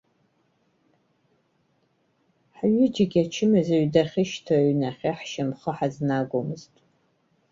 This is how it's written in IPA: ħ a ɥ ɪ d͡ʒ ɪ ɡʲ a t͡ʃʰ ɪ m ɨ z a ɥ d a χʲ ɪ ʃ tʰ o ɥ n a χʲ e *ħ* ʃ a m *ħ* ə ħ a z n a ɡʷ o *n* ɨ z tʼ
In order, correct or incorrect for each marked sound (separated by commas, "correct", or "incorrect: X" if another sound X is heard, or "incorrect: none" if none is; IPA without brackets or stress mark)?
correct, incorrect: χ, incorrect: m